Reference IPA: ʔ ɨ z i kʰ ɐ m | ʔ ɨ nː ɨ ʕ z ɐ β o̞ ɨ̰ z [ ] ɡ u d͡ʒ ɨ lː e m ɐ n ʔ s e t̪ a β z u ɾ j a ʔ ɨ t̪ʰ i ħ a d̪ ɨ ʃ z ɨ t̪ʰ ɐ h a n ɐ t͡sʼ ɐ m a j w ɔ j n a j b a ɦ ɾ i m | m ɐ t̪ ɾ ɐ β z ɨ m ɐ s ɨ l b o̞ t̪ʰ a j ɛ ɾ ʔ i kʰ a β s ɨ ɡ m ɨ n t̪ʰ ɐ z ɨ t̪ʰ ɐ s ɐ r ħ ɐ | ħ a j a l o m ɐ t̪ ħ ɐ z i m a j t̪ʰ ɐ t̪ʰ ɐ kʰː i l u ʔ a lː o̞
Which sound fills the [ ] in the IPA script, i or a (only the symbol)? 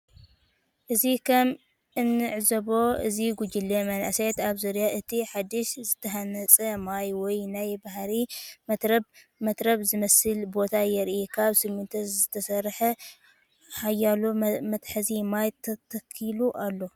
i